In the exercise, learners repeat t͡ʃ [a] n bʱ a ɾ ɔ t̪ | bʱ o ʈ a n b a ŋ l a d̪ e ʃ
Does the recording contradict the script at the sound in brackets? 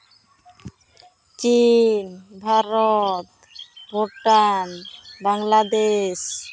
yes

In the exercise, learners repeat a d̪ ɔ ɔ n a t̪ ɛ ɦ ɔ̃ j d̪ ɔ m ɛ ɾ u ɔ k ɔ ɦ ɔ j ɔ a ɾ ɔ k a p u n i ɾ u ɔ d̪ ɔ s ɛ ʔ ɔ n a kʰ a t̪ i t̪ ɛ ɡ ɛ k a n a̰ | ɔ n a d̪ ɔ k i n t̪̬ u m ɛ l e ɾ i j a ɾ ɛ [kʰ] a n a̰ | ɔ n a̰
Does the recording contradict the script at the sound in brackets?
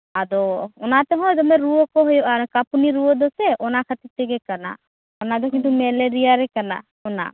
yes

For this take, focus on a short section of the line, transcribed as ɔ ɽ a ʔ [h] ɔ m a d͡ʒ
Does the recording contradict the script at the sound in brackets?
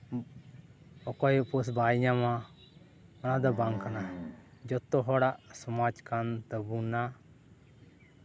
yes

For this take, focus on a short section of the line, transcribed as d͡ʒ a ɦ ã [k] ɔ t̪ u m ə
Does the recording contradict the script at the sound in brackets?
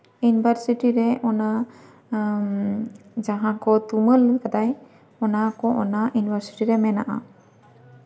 no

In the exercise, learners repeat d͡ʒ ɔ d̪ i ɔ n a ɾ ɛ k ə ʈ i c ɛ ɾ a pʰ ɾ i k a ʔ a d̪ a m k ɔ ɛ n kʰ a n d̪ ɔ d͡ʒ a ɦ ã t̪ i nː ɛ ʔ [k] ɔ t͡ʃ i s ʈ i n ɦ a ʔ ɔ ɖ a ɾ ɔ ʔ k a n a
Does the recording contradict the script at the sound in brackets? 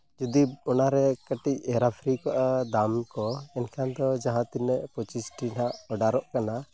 yes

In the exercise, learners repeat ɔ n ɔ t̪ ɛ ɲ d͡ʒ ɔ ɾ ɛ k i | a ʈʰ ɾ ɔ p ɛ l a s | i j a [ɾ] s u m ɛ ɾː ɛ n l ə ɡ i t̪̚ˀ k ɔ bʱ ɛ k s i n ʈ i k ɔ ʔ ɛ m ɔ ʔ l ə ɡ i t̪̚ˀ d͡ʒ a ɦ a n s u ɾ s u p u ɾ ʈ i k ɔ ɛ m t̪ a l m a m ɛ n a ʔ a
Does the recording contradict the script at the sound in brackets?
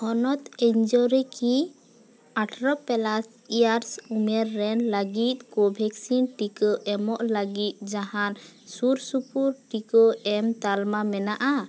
no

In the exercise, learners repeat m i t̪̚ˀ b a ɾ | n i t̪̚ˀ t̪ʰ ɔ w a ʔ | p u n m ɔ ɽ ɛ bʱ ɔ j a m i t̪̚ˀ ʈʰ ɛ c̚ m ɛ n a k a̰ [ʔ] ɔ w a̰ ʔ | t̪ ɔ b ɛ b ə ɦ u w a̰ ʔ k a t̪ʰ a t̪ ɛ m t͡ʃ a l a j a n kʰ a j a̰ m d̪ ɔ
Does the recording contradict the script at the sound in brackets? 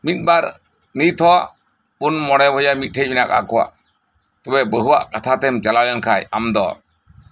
yes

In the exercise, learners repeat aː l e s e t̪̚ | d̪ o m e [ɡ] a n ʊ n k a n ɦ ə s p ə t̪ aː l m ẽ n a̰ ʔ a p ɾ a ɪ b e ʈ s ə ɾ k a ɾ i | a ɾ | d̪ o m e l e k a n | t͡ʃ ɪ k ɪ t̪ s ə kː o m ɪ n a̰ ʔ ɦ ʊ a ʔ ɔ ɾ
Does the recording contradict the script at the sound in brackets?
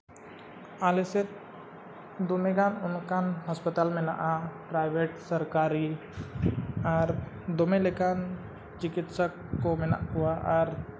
no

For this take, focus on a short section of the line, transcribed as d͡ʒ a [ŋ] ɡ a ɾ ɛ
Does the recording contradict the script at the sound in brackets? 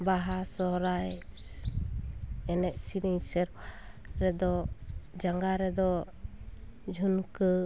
no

